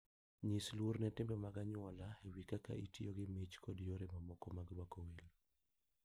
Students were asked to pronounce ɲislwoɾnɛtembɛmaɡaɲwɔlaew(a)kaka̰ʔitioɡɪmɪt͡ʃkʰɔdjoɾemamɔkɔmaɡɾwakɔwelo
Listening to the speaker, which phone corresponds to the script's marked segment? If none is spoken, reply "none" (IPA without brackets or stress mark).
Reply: i